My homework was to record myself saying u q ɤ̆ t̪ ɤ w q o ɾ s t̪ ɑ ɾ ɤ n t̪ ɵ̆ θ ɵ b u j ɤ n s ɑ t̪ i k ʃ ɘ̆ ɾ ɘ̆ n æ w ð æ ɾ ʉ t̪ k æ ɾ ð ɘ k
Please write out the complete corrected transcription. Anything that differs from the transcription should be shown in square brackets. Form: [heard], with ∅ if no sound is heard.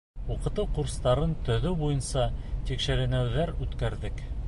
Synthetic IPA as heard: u q ɤ̆ t̪ ɤ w q [u] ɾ s t̪ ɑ ɾ ɤ n t̪ ɵ̆ [ð] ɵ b u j ɤ n s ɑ t̪ i k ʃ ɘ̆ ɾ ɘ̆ n æ w ð æ ɾ ʉ t̪ k æ ɾ ð ɘ k